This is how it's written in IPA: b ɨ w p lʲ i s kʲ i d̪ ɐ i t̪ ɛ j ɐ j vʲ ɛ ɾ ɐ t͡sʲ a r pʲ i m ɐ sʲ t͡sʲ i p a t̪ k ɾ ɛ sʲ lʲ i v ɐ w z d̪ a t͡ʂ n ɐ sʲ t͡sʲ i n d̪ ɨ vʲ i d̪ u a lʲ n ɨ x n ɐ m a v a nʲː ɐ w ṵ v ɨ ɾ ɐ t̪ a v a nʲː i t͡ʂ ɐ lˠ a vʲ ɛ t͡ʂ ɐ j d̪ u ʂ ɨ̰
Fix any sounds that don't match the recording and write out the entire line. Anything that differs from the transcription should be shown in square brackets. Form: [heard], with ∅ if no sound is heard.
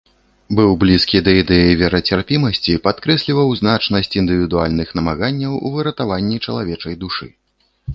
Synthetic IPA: b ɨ w [b] lʲ i s kʲ i d̪ ɐ i [d̪] ɛ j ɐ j vʲ ɛ ɾ ɐ t͡sʲ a r pʲ i m ɐ sʲ t͡sʲ i p a t̪ k ɾ ɛ sʲ lʲ i v ɐ w z [n̪] a t͡ʂ n ɐ sʲ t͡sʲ i n d̪ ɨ vʲ i d̪ u a lʲ n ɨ x n ɐ m a [ɣ] a nʲː ɐ w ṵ v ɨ ɾ ɐ t̪ a v a nʲː i t͡ʂ ɐ lˠ a vʲ ɛ t͡ʂ ɐ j d̪ u ʂ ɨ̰

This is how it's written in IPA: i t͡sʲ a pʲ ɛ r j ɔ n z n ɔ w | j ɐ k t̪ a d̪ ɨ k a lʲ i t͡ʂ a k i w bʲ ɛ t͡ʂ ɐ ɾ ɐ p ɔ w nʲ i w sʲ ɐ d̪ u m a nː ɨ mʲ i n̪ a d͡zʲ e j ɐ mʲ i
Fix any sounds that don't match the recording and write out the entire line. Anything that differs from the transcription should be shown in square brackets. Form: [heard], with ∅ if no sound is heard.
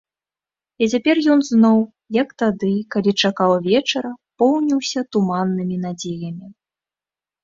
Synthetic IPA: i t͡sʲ a pʲ ɛ r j ɔ n z n ɔ w | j ɐ k t̪ a d̪ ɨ k a lʲ i t͡ʂ a k [a] w [vʲ] ɛ t͡ʂ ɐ ɾ ɐ p ɔ w nʲ i w sʲ ɐ [t̪] u m a nː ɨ mʲ i n̪ a d͡zʲ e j ɐ mʲ i

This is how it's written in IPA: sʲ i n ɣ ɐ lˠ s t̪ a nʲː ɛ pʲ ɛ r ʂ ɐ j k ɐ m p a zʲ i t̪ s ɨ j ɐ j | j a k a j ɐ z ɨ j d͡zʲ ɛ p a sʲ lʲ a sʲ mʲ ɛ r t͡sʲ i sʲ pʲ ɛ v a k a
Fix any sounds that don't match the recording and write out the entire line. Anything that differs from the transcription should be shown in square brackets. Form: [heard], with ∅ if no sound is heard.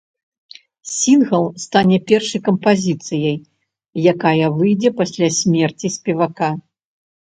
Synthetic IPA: sʲ i n ɣ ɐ lˠ s t̪ a [nʲ] ɛ pʲ ɛ r ʂ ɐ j k ɐ m p a zʲ i t̪ s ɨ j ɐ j | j a k a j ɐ [v] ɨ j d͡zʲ ɛ p a sʲ lʲ a sʲ mʲ ɛ r t͡sʲ i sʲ pʲ ɛ v a k a

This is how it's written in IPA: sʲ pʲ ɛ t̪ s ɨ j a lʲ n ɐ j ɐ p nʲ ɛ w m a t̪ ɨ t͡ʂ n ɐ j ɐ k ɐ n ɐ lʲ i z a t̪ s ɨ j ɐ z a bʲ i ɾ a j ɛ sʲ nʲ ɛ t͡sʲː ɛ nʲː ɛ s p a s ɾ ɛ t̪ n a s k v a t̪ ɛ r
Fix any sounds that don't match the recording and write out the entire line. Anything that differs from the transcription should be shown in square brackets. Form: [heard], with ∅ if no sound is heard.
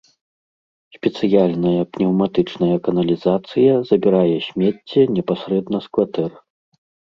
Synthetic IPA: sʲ pʲ ɛ t̪ s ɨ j a lʲ n ɐ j ɐ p nʲ ɛ w m a t̪ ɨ t͡ʂ n ɐ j ɐ k ɐ n ɐ lʲ i z a t̪ s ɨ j ɐ z [ɐ] bʲ i ɾ a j ɛ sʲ [mʲ] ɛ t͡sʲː ɛ [nʲ] ɛ [∅] p a s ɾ ɛ [d̪] n [ɐ] s k v a t̪ ɛ r

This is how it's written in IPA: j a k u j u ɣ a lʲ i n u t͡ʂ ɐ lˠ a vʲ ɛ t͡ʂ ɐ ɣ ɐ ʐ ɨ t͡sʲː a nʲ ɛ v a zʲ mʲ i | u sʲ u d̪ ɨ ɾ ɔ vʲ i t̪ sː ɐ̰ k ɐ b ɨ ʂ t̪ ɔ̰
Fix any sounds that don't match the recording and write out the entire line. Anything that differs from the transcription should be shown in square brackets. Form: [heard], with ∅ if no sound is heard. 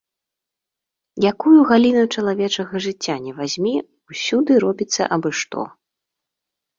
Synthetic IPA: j a k u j u ɣ a lʲ i n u t͡ʂ ɐ lˠ a vʲ ɛ t͡ʂ ɐ ɣ ɐ ʐ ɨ t͡sʲː a nʲ ɛ v a zʲ mʲ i | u sʲ u d̪ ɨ ɾ ɔ [bʲ] i t̪ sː ɐ̰ [ʔ] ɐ b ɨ ʂ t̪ ɔ̰

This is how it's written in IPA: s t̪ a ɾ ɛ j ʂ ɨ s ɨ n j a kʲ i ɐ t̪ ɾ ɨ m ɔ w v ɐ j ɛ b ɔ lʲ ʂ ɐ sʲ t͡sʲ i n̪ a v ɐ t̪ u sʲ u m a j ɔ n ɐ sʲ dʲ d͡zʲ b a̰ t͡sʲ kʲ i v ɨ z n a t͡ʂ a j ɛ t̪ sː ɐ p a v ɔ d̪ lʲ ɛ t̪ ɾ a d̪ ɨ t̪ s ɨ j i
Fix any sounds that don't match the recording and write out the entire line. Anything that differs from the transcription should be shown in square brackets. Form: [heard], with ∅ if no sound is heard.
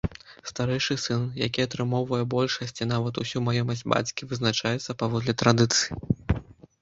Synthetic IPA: s t̪ a ɾ ɛ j ʂ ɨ s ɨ n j a kʲ i ɐ t̪ ɾ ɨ m ɔ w v ɐ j ɛ b ɔ lʲ ʂ ɐ sʲ t͡sʲ i n̪ a v ɐ t̪ u sʲ u m a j ɔ [m] ɐ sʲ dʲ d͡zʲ b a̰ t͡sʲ kʲ i v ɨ z n a t͡ʂ a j ɛ t̪ sː ɐ p a v ɔ d̪ lʲ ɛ t̪ ɾ a d̪ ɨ t̪ s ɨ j i

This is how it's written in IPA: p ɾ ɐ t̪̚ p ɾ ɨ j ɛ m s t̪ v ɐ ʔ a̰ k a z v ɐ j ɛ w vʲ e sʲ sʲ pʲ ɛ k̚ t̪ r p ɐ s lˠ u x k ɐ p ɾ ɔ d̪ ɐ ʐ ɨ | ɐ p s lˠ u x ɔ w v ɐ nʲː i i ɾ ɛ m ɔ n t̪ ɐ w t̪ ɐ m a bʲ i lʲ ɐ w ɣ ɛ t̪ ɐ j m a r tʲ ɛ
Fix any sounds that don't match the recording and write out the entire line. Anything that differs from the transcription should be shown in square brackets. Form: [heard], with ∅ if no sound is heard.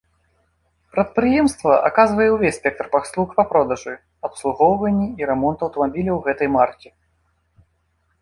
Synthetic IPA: p ɾ ɐ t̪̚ p ɾ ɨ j ɛ m s t̪ v ɐ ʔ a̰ k a z v ɐ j ɛ w vʲ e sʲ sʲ pʲ ɛ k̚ t̪ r p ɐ s lˠ u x [p] ɐ p ɾ ɔ d̪ ɐ ʐ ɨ | ɐ p s lˠ u [ɣ] ɔ w v ɐ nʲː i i ɾ ɛ m ɔ n t̪ ɐ w t̪ ɐ m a bʲ i lʲ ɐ w ɣ ɛ t̪ ɐ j m a r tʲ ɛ

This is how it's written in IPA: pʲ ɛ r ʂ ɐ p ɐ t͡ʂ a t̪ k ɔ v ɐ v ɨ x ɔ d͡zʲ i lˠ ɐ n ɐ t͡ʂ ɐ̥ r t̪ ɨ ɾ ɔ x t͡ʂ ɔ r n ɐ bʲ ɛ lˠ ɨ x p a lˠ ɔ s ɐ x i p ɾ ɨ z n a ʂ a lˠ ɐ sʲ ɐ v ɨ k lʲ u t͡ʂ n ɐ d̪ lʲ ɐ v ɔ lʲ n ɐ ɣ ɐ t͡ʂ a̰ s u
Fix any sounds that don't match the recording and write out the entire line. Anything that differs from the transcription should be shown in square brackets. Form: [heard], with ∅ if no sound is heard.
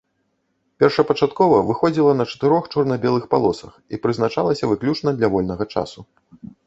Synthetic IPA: pʲ ɛ r ʂ ɐ p ɐ t͡ʂ a t̪ k ɔ v ɐ v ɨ x ɔ d͡zʲ i lˠ ɐ n ɐ t͡ʂ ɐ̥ [∅] t̪ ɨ ɾ ɔ x t͡ʂ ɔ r n ɐ bʲ ɛ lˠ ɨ x p a lˠ ɔ s ɐ x i p ɾ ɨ z n a [t͡ʂ] a lˠ ɐ sʲ ɐ v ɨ k lʲ u t͡ʂ n ɐ d̪ lʲ ɐ v ɔ lʲ n ɐ ɣ ɐ t͡ʂ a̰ s u

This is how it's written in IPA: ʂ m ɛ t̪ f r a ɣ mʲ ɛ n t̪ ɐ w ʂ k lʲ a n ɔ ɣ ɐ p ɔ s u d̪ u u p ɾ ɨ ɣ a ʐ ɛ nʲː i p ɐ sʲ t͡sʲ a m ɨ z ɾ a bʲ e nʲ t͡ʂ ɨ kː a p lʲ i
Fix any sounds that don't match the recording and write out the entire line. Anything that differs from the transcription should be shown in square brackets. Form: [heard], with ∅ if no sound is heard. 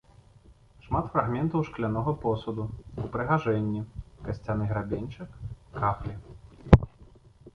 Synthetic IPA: ʂ m [a] t̪ f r a ɣ mʲ ɛ n t̪ ɐ w ʂ k lʲ a n ɔ ɣ ɐ p ɔ s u d̪ u u p ɾ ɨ ɣ a ʐ ɛ nʲː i [k] ɐ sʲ t͡sʲ a [n] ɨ [ɣ] ɾ a bʲ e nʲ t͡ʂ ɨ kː a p lʲ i

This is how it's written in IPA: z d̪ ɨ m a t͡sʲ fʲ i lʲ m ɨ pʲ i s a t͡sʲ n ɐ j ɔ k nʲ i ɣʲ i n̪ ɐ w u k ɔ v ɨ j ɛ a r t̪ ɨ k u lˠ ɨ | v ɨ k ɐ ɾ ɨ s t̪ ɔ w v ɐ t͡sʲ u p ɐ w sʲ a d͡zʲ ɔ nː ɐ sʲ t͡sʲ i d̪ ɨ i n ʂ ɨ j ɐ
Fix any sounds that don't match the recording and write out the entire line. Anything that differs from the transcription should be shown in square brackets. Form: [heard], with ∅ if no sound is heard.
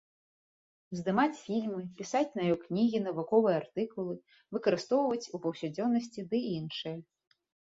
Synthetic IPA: z d̪ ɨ m a t͡sʲ fʲ i lʲ m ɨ pʲ i s a t͡sʲ n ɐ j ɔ k nʲ i ɣʲ i n̪ ɐ [v] u k ɔ v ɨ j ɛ a r t̪ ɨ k u lˠ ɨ | v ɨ k ɐ ɾ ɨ s t̪ ɔ w v ɐ t͡sʲ u p ɐ w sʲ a d͡zʲ ɔ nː ɐ sʲ t͡sʲ i d̪ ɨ i n ʂ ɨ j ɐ

